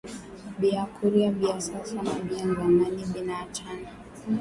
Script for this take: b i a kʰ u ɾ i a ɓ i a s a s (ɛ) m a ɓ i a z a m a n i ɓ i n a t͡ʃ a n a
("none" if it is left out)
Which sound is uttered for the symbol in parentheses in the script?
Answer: a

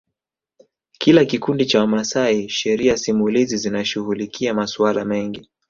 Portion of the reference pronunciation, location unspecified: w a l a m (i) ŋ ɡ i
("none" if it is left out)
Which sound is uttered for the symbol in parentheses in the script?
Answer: ɛ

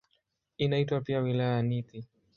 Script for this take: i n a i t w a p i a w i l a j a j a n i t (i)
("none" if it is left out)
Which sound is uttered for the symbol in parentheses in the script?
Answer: i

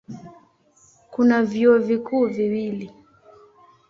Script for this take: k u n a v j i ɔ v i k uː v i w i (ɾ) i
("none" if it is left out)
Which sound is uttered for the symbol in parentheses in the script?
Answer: l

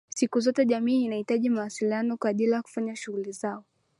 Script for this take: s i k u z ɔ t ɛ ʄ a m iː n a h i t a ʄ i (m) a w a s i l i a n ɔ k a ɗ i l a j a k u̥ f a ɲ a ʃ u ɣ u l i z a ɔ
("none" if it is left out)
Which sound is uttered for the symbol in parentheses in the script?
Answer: m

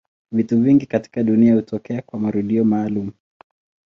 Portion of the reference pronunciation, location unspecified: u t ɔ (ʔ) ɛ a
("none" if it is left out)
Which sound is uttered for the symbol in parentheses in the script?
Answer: k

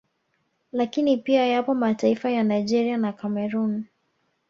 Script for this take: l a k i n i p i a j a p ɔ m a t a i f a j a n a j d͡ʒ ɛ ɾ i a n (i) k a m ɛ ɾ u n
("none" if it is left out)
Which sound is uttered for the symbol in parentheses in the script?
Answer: a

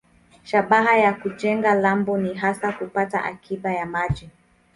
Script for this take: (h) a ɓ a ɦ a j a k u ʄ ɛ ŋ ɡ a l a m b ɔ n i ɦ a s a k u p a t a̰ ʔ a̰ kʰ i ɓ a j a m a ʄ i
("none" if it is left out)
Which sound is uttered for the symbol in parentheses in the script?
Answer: ʃ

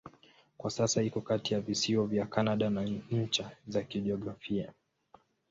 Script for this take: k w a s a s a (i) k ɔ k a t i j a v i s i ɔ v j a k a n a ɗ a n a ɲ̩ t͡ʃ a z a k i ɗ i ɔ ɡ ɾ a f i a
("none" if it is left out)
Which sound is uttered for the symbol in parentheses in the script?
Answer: i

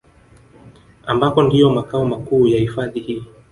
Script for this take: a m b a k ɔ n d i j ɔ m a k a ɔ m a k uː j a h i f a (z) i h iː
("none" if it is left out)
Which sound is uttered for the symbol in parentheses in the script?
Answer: ð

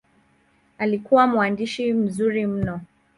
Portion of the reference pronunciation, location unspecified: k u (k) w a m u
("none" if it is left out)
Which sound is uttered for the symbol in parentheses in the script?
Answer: none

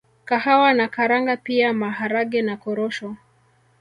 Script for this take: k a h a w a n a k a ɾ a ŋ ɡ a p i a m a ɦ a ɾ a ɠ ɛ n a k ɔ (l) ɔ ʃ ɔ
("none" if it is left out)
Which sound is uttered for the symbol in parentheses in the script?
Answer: ɾ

